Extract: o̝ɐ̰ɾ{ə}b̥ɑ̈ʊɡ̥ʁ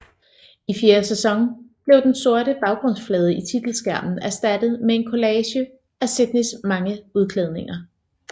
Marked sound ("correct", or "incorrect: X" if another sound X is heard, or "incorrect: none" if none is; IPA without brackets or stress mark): correct